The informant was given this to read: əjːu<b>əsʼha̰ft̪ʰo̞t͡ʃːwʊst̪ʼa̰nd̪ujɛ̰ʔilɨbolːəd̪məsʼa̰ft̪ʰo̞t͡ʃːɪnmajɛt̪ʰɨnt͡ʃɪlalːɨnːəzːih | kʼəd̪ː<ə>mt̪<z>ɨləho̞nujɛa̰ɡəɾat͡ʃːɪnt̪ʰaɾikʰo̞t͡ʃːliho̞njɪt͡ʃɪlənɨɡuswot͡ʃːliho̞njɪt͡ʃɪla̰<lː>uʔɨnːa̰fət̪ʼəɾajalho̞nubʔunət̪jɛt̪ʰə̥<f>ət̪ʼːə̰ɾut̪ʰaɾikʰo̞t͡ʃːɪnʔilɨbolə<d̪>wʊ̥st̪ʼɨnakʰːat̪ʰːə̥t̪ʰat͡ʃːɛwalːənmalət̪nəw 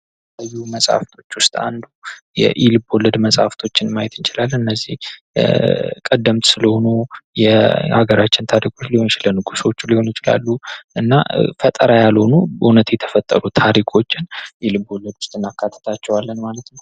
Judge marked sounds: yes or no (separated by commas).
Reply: no, yes, no, yes, yes, yes